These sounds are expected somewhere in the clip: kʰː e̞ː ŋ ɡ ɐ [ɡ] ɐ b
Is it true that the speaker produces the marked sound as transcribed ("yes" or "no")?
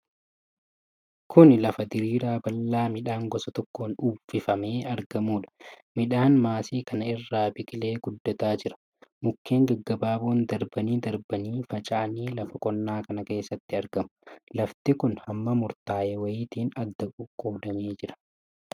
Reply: no